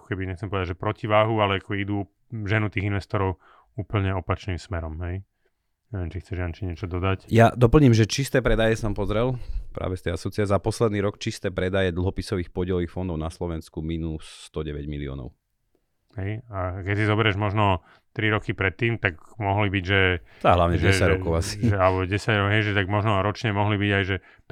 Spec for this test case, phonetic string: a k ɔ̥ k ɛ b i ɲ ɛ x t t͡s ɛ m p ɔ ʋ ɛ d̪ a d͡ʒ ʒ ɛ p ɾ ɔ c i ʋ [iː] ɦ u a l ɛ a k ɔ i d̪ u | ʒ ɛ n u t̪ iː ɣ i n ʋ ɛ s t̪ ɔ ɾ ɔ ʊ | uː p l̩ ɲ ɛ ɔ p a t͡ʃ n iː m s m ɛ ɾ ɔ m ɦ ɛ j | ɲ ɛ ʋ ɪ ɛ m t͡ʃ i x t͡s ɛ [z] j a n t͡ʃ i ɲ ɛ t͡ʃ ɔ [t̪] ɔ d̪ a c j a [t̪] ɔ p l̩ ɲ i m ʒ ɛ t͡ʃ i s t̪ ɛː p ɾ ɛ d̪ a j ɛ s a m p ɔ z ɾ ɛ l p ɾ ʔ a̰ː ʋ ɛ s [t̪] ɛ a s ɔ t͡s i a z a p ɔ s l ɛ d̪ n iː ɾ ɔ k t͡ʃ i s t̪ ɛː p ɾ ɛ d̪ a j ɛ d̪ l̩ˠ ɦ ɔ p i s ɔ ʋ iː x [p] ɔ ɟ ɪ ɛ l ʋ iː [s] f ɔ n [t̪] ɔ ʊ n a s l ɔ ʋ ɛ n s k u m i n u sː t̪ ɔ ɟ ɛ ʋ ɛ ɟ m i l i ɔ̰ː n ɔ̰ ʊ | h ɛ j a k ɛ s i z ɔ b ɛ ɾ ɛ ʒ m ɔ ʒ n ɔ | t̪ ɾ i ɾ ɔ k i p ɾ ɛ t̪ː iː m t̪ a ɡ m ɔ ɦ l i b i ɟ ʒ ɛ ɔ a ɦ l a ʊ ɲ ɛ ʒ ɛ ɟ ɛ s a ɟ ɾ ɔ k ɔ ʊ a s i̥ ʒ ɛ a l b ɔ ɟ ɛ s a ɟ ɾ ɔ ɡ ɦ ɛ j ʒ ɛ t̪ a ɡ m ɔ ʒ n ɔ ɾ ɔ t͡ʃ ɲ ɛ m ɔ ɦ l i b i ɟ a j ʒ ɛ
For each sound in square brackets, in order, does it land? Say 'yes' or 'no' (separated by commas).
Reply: no, no, no, no, yes, yes, no, no